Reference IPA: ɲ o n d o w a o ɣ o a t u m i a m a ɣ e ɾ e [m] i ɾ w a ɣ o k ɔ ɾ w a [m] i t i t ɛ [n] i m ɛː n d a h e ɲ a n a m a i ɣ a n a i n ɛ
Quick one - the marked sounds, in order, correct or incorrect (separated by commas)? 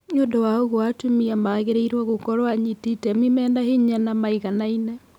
incorrect, incorrect, incorrect